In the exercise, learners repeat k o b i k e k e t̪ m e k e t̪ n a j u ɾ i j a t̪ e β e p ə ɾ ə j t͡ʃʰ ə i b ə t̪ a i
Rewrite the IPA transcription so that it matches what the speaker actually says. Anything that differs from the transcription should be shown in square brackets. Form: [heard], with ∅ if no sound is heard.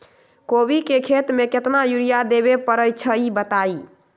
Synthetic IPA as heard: k o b i k e [kʰ] e t̪ m e k e t̪ n a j u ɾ i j a [d̪] e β e p ə ɾ ə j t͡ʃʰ ə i b ə t̪ a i